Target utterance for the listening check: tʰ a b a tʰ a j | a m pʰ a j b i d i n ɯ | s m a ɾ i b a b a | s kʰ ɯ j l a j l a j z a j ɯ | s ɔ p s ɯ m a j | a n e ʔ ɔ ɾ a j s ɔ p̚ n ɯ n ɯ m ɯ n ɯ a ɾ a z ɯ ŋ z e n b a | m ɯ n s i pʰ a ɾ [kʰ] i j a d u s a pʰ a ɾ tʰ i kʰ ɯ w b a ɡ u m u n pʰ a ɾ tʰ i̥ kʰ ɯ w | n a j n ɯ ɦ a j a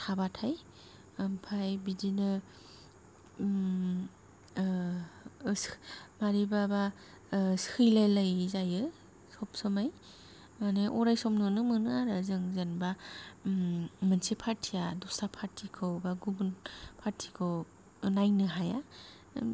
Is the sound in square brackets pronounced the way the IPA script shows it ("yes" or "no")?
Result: no